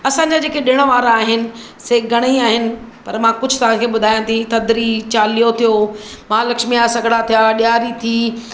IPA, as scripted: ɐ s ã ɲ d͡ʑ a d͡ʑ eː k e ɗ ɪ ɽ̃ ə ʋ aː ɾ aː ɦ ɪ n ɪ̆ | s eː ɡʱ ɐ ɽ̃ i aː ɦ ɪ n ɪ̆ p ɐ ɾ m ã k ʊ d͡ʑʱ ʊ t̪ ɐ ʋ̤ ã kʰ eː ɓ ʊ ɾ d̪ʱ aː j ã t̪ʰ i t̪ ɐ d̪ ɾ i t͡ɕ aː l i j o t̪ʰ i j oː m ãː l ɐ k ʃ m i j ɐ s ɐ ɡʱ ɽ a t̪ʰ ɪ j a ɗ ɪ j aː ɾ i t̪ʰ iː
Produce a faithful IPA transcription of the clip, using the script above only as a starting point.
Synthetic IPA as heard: ɐ s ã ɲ d͡ʑ a d͡ʑ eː k e ɗ ɪ ɽ̃ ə ʋ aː ɾ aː ɦ ɪ n ɪ̆ | s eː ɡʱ ɐ ɽ̃ i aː ɦ ɪ n ɪ̆ p ɐ ɾ m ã k ʊ d͡ʑʱ ʊ t̪ ɐ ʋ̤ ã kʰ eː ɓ ʊ d̪ʱ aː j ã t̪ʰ i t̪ ɐ d̪ ɾ i t͡ɕ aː l i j o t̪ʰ i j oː m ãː l ɐ k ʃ m i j a s ɐ ɡʱ ɽ a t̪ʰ i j a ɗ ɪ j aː ɾ i t̪ʰ iː